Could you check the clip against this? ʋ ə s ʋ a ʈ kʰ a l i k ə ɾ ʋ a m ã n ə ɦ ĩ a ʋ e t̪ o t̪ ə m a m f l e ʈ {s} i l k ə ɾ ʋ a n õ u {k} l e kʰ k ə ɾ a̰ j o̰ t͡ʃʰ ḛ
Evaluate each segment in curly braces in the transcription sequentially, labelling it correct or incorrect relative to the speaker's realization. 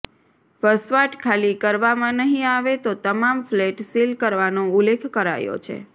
correct, incorrect

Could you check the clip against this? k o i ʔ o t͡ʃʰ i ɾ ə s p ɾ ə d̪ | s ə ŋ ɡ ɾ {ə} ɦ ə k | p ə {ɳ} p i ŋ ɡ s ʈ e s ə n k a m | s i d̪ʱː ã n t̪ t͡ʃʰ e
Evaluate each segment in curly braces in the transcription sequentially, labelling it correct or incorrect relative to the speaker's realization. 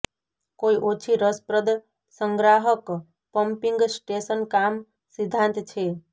incorrect, incorrect

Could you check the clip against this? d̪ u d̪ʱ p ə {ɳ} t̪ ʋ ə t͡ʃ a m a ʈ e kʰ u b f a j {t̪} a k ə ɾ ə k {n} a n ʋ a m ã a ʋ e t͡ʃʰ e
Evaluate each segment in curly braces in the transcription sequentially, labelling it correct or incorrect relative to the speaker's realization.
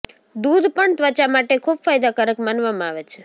correct, incorrect, incorrect

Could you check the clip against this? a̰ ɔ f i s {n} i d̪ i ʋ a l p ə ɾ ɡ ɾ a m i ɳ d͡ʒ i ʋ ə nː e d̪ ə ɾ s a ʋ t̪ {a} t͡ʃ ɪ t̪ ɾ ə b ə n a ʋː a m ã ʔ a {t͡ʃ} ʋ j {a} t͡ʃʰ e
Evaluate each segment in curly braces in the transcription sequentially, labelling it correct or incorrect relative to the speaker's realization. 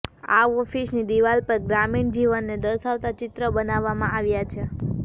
correct, correct, incorrect, correct

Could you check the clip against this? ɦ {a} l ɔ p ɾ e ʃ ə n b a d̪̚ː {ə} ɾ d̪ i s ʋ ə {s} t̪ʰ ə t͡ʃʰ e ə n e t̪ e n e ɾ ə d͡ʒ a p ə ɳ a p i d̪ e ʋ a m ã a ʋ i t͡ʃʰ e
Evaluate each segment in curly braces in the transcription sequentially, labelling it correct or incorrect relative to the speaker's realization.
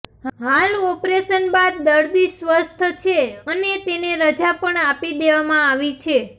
correct, correct, correct

